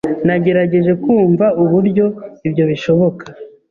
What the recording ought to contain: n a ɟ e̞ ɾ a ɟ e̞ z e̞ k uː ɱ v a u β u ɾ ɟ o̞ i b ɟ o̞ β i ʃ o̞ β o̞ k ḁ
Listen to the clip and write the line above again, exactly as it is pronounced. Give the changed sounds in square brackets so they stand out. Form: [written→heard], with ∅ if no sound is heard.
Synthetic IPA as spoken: n a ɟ e̞ ɾ a ɟ e̞ [z→ʒ] e̞ k uː ɱ v a u β u ɾ ɟ o̞ i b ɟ o̞ β i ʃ o̞ β o̞ k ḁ